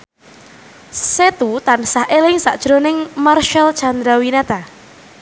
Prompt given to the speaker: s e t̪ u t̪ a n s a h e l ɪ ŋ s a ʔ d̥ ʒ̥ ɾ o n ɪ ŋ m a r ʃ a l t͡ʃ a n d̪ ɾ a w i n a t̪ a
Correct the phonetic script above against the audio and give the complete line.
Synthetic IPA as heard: s e t̪ u t̪ a n s a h e l ɪ ŋ s a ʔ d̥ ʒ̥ ɾ o n ɪ ŋ m a r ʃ a l t͡ʃ a n d̪ ɾ a w i n a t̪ a